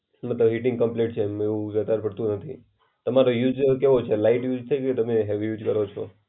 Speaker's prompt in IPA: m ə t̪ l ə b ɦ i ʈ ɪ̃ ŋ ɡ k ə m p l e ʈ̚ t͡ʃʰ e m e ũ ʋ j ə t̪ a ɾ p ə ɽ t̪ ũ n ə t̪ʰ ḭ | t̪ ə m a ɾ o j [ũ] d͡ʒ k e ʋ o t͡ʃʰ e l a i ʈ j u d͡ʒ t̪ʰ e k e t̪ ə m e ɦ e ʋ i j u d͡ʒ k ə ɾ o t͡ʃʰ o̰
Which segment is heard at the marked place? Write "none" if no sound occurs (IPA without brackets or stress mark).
u